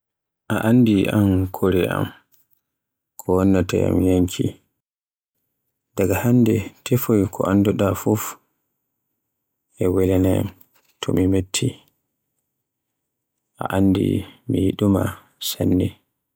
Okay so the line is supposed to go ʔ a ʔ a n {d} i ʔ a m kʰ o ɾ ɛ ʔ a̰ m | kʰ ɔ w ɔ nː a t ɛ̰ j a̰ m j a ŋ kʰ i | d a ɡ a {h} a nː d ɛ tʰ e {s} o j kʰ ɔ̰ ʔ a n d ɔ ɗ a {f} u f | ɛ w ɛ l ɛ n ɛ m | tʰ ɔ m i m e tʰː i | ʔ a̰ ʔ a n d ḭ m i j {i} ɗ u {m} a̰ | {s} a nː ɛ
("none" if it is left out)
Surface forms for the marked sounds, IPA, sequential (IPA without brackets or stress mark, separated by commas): d, h, f, f, i, m, s